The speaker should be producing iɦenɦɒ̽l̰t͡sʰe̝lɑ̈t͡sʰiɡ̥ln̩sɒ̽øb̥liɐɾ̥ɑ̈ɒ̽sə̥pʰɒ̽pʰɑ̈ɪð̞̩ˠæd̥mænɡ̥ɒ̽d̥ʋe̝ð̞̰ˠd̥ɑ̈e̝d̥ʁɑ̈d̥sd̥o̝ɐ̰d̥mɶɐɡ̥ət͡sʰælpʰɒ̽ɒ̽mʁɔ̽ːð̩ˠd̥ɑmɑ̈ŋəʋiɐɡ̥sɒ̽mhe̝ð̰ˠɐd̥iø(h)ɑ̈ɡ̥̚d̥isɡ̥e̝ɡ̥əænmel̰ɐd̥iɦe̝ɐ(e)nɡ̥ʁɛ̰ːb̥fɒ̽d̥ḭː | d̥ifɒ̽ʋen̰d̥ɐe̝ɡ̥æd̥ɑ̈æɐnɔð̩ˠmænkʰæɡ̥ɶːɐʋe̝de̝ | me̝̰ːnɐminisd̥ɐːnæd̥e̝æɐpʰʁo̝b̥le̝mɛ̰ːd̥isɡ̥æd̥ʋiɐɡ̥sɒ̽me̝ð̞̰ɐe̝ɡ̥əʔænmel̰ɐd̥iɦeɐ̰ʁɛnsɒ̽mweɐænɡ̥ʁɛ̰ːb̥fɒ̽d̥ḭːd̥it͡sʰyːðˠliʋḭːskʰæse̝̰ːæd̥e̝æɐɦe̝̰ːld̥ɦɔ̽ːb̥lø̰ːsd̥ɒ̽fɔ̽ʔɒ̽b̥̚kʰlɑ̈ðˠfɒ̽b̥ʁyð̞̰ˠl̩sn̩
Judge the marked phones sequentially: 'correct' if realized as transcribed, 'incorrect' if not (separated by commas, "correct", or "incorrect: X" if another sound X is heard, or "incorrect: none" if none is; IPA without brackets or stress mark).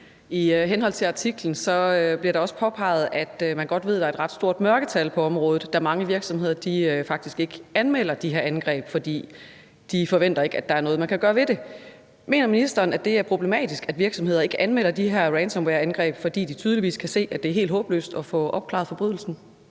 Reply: incorrect: f, incorrect: æ